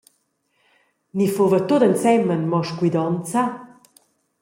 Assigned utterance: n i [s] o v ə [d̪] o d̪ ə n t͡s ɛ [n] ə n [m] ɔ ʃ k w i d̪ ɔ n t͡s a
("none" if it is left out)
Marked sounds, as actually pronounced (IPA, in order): f, t̪, m, m

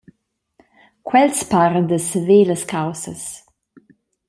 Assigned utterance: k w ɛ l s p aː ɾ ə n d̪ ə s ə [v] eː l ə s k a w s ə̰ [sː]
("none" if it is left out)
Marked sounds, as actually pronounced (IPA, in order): v, s

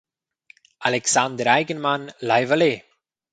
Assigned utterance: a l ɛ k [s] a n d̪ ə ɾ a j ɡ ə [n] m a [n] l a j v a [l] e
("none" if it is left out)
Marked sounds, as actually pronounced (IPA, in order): s, n, n, l

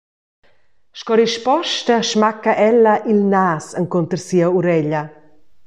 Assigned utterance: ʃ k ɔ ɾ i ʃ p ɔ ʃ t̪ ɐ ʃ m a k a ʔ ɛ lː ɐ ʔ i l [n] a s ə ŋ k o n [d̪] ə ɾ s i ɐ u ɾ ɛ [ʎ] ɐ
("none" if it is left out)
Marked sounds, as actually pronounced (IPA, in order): n, t̪, ʎ

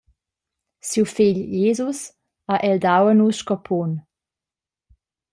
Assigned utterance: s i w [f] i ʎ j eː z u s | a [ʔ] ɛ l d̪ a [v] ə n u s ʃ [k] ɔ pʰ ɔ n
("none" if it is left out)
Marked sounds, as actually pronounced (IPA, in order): f, ʔ, w, k

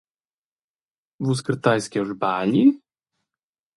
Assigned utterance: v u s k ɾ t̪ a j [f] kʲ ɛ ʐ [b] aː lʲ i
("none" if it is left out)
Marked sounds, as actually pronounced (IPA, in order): s, b

